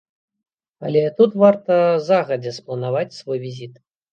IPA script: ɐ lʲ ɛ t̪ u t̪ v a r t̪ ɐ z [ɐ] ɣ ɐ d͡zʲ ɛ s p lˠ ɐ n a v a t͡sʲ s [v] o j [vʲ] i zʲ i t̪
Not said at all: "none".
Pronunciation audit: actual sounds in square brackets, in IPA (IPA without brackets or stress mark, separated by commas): a, v, vʲ